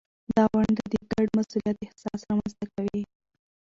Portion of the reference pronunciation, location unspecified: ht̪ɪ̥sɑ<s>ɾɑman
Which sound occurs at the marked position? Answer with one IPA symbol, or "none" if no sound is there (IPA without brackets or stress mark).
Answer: s